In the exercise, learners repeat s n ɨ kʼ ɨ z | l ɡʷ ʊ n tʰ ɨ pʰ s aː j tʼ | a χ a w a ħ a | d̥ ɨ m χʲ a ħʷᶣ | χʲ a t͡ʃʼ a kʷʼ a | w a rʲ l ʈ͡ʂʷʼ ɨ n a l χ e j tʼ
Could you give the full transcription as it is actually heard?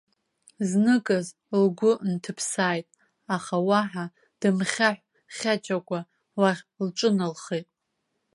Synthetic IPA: z n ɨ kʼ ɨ z | l ɡʷ ʊ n tʰ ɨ pʰ s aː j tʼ | a χ a w a ħ a | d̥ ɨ m χʲ a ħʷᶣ | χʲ a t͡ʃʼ a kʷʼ a | w a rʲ l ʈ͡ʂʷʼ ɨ n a l χ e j tʼ